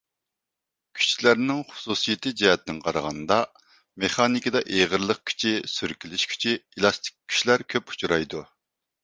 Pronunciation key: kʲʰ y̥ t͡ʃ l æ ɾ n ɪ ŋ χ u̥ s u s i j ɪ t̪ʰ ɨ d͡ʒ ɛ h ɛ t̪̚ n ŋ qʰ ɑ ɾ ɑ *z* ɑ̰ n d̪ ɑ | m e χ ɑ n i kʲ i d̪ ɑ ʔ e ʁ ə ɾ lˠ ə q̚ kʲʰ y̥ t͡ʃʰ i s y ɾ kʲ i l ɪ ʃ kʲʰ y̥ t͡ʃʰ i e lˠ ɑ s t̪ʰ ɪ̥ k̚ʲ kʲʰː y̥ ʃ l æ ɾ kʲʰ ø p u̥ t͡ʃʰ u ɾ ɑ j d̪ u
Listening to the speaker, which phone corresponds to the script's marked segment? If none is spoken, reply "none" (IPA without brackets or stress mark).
ʁ